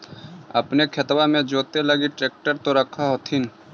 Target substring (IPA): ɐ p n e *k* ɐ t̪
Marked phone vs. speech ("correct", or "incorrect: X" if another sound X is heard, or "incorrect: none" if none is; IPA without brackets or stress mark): incorrect: kʰ